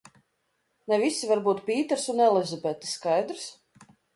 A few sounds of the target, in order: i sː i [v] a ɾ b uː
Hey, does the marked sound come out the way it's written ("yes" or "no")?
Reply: yes